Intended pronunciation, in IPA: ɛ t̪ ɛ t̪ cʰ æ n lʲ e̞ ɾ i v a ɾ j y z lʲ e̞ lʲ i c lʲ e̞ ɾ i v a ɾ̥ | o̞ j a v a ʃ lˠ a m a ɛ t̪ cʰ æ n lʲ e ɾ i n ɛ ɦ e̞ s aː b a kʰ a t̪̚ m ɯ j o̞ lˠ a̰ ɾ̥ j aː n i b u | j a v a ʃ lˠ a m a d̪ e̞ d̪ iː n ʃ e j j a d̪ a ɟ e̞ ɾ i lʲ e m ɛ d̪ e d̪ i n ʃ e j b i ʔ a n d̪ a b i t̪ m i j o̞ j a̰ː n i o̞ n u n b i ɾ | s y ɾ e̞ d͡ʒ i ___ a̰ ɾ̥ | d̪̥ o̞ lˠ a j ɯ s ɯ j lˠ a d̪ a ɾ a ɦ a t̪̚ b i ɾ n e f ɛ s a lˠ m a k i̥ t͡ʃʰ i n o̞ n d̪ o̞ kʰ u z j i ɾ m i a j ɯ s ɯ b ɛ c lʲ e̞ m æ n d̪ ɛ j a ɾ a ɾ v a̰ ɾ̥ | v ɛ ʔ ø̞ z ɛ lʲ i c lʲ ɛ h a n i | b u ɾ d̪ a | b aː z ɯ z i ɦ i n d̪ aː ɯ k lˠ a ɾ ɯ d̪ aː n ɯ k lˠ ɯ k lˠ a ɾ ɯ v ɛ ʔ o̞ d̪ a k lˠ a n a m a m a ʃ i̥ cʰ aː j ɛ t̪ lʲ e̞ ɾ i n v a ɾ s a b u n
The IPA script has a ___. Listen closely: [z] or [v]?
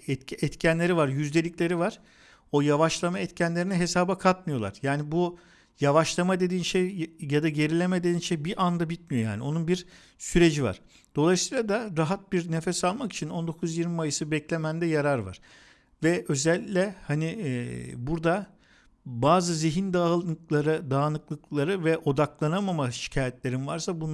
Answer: v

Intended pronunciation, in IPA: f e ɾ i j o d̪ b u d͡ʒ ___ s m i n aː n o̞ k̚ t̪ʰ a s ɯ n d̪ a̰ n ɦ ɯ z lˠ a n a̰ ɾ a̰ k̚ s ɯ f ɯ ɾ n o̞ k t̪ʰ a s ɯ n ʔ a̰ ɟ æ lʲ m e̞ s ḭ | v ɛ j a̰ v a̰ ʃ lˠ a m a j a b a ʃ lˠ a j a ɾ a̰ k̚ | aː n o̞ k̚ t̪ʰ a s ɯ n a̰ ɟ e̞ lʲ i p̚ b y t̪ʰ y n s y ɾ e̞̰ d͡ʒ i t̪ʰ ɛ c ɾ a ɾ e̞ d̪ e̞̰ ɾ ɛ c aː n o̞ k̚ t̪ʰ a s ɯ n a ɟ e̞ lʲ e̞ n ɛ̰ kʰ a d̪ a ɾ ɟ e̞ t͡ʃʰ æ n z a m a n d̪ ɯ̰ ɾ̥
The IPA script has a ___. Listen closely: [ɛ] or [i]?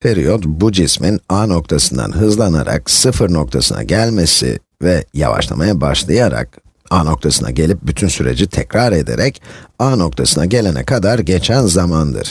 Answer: i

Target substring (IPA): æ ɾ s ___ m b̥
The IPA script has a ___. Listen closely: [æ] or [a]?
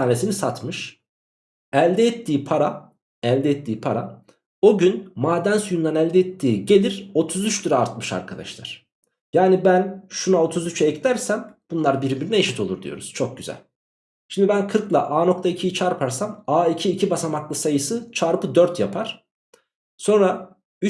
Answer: æ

